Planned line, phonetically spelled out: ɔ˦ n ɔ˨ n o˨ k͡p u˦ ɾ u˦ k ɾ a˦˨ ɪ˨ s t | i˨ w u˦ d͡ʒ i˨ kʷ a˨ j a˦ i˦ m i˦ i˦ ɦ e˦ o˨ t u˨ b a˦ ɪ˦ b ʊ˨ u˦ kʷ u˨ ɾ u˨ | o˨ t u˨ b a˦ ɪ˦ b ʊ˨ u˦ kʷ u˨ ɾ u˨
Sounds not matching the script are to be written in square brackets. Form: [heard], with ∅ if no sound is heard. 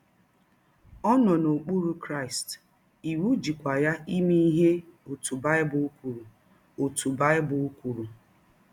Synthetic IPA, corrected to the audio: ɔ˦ n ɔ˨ n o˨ k͡p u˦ ɾ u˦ k ɾ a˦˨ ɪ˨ s t | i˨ w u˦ d͡ʒ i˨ kʷ a˨ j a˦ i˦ m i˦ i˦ ɦ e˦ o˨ t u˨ b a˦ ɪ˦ b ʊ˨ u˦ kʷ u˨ ɾ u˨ | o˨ t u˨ b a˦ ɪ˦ b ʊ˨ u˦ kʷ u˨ ɾ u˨